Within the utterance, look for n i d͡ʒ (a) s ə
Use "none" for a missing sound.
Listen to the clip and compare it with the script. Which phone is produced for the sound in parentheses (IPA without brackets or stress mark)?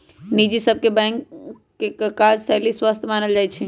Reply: i